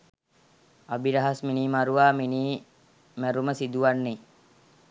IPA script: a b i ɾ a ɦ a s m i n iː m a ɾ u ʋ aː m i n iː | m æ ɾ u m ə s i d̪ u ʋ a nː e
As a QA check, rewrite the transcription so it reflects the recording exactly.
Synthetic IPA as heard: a b i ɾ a ɦ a s m i n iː m a ɾ u ʋ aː m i n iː | m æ ɾ u m ə s i d̪ u ʋ a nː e